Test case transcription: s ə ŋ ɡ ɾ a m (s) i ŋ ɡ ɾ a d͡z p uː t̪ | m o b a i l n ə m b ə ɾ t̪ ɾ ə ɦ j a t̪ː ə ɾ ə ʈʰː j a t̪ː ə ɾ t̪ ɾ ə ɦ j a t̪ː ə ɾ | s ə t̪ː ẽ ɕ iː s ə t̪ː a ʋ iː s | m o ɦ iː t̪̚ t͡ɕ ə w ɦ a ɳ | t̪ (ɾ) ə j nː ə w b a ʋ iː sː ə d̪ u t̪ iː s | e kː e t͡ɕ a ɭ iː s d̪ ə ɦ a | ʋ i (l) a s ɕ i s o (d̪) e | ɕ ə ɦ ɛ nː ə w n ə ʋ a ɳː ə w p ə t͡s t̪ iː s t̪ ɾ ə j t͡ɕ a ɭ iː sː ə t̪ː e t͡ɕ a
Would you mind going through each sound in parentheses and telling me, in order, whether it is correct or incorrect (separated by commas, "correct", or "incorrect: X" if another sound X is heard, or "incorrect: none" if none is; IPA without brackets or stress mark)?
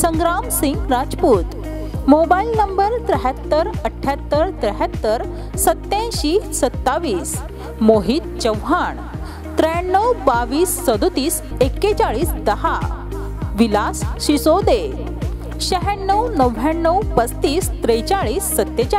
correct, correct, correct, correct